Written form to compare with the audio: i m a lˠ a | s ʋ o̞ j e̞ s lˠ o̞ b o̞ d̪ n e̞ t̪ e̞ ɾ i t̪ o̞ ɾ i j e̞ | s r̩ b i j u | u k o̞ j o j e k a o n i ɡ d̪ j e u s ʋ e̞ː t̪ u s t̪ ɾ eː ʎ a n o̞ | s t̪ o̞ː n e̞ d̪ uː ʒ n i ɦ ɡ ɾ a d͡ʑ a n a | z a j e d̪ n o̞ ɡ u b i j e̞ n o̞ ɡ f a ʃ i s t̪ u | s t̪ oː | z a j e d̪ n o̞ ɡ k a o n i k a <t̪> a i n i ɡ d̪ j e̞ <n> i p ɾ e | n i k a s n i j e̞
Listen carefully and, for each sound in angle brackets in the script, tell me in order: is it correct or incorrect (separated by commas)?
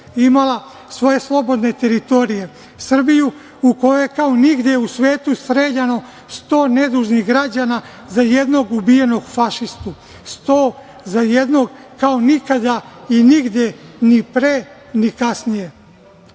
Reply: incorrect, correct